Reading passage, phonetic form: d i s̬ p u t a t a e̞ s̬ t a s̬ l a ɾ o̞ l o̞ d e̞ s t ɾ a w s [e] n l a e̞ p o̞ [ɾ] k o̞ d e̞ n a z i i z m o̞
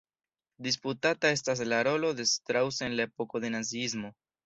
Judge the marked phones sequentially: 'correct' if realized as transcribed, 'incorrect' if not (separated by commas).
correct, incorrect